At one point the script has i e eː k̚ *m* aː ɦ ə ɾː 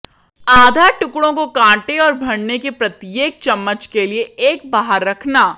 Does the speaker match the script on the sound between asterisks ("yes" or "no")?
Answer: no